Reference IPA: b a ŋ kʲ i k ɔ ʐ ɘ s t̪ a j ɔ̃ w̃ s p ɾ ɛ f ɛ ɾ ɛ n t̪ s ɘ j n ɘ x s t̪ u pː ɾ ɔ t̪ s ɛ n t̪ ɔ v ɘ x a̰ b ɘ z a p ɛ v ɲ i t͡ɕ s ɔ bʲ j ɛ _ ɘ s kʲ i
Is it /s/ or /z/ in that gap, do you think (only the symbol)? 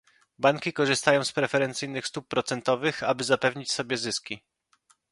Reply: z